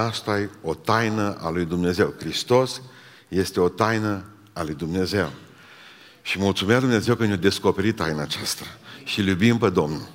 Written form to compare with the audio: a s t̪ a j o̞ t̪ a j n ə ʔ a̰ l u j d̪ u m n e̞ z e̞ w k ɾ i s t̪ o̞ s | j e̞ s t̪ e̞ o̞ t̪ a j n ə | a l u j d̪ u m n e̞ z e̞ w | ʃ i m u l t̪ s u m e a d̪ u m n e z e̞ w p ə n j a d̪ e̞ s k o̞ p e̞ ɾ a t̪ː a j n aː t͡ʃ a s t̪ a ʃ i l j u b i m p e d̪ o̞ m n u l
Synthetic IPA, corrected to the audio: a s t̪ a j o̞ t̪ a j n ə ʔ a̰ l u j d̪ u m n e̞ z e̞ w k ɾ i s t̪ o̞ s | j e̞ s t̪ e̞ o̞ t̪ a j n ə | a l u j d̪ u m n e̞ z e̞ w | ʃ i m u l t̪ s u m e a d̪ u m n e z e̞ w k ə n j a d̪ e̞ s k o̞ p e̞ ɾ i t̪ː a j n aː t͡ʃ a s t̪ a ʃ i l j u b i m p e d̪ o̞ m n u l